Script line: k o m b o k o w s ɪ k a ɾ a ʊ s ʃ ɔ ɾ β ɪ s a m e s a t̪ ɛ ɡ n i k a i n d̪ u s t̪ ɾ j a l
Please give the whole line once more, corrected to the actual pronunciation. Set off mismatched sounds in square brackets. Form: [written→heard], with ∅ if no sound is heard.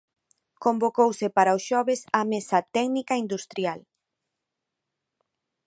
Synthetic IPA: k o m b o k o w s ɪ [k→p] a ɾ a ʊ s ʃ ɔ [ɾ→∅] β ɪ s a m e s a t̪ ɛ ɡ n i k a i n d̪ u s t̪ ɾ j a l